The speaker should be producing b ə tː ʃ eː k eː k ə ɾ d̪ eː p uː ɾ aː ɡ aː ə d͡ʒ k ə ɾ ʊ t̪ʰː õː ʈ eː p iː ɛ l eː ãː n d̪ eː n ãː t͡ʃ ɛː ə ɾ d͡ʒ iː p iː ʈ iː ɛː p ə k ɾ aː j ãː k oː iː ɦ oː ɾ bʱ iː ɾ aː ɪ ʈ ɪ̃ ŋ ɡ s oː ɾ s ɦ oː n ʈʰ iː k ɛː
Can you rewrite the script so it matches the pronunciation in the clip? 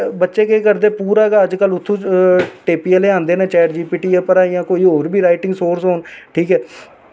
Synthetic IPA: b ə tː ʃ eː k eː k ə ɾ d̪ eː p uː ɾ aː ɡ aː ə d͡ʒ k ə l ʊ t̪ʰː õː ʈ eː p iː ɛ l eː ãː n d̪ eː n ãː t͡ʃ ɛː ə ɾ d͡ʒ iː p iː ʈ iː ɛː p ə ɾ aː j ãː k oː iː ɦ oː ɾ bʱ iː ɾ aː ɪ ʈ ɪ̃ ŋ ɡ s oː ɾ s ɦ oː n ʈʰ iː k ɛː